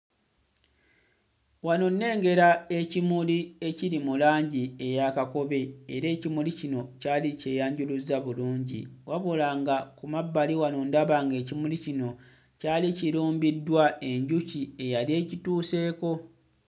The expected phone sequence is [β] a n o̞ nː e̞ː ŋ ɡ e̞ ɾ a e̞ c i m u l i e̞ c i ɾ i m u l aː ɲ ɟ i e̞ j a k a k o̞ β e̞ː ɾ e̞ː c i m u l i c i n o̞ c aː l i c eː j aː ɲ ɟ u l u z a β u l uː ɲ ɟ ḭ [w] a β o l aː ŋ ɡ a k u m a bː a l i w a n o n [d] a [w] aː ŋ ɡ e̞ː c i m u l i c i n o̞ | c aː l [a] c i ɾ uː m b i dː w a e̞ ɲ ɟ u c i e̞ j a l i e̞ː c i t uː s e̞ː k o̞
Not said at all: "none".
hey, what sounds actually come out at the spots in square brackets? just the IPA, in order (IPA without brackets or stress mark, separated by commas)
w, w, d, β, i